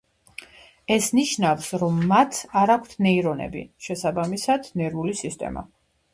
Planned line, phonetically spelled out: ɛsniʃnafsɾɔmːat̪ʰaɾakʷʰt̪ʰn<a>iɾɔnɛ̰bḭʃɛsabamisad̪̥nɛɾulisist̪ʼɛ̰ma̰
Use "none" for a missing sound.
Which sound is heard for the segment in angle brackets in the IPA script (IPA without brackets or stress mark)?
ɛ